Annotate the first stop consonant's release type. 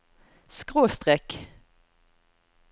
plain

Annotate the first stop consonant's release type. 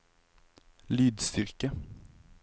plain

